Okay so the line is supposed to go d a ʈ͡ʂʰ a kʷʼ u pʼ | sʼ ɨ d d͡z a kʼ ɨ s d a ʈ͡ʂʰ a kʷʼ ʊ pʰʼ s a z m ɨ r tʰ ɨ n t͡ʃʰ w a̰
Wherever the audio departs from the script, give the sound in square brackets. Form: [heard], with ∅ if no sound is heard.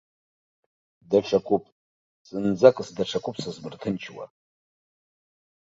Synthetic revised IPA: d a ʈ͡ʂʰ a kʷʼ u pʼ | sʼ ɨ [n] d͡z a kʼ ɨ s d a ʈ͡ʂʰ a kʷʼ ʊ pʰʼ s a z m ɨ r tʰ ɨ n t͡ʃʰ w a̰